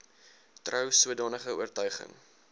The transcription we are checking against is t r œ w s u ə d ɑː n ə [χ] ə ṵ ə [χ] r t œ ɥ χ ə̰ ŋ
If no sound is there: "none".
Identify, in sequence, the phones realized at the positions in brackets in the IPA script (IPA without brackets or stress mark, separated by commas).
χ, none